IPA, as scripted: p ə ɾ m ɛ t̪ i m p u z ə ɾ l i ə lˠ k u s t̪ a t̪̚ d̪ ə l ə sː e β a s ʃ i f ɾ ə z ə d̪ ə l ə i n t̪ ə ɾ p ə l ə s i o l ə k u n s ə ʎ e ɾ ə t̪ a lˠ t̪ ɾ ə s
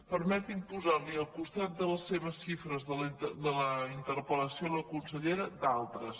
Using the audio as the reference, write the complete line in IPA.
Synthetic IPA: p ə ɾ m ɛ t̪ i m p u z a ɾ l i ə lˠ k u s t̪ a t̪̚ d̪ ə l ə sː e β ə s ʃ i f ɾ ə z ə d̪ ə l ə i n t̪ ə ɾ p ə l ə s i o l ə k u n s ə ʎ e ɾ ə d̪ a lˠ t̪ ɾ ə s